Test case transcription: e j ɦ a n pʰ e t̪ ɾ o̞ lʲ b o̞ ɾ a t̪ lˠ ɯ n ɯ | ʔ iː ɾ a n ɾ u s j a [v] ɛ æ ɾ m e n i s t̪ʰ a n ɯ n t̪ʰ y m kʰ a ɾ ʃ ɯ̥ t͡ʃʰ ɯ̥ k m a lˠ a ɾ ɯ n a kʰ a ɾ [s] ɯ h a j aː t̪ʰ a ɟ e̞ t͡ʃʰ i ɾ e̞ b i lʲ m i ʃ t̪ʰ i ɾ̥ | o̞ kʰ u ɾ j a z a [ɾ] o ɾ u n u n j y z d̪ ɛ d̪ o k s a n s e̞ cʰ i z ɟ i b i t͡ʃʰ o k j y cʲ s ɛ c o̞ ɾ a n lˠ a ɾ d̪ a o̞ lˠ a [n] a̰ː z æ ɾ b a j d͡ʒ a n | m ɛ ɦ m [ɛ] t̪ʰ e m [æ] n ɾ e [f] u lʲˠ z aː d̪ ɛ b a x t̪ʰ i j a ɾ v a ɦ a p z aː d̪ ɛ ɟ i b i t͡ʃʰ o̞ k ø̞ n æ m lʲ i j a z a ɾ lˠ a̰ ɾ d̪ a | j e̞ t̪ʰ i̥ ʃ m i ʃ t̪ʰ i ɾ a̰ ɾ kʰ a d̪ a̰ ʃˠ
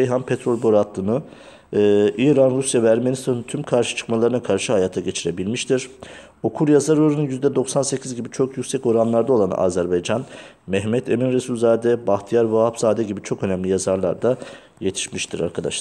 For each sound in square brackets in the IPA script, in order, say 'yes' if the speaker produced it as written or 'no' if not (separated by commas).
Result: yes, no, yes, yes, yes, no, no